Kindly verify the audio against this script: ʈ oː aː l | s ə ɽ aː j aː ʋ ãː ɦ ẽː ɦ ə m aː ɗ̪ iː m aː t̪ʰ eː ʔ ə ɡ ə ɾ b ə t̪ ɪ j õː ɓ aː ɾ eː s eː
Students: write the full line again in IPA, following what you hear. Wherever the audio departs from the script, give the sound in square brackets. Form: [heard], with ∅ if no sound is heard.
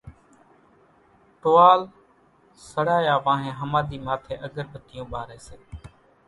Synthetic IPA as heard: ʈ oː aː l | s ə ɽ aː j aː ʋ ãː ɦ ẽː ɦ ə m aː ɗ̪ iː m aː t̪ʰ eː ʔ ə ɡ ə ɾ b ə t̪ ɪ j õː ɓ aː ɾ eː s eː